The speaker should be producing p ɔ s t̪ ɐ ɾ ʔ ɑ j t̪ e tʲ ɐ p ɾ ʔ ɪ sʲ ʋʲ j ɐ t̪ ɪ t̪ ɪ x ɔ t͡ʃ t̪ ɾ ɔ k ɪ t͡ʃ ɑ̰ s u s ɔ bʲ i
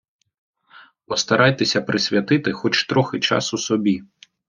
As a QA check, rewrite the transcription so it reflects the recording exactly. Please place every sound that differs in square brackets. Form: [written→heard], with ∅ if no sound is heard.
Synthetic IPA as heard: p ɔ s t̪ ɐ ɾ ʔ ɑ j t̪ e [tʲ→sʲ] ɐ p ɾ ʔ ɪ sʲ ʋʲ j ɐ t̪ ɪ t̪ ɪ x ɔ t͡ʃ t̪ ɾ ɔ [k→x] ɪ t͡ʃ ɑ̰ s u s ɔ bʲ i